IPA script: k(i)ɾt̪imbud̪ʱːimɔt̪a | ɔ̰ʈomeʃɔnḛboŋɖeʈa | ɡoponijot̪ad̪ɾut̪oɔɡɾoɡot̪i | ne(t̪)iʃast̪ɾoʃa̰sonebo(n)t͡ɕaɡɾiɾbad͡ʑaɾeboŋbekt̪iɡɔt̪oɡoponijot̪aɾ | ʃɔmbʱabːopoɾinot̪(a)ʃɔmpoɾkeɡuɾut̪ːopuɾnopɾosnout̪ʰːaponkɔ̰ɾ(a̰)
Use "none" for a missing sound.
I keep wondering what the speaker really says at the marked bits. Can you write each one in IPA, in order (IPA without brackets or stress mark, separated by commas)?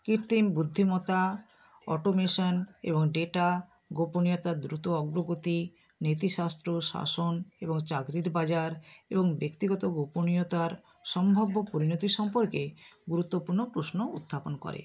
i, t̪, ŋ, i, ḛ